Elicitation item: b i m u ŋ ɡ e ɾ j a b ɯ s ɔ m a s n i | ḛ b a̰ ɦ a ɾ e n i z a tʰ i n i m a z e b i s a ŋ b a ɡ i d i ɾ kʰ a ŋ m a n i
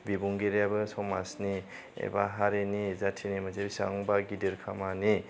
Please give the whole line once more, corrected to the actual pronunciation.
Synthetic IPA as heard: b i b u ŋ ɡ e ɾ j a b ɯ s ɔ m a s n i | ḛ b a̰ ɦ a ɾ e n i z a tʰ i n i m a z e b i s a ŋ b a ɡ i d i ɾ kʰ a m a n i